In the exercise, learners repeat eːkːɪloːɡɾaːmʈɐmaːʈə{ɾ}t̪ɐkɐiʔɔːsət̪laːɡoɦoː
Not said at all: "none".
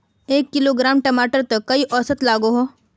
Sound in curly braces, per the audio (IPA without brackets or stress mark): ɾ